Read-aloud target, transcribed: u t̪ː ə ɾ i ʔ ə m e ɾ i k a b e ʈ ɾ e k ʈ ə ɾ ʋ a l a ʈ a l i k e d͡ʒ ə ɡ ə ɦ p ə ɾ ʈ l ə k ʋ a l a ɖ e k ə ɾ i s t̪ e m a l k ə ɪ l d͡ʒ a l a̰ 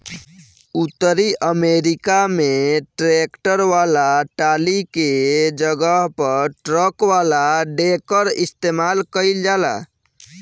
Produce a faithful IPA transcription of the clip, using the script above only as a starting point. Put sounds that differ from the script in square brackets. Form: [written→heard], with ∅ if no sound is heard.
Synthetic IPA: u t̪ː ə ɾ i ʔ ə m e ɾ i k a [b→m] e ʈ ɾ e k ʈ ə ɾ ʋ a l a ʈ a l i k e d͡ʒ ə ɡ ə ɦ p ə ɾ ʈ [l→ɾ] ə k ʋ a l a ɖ e k ə ɾ i s t̪ e m a l k ə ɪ l d͡ʒ a l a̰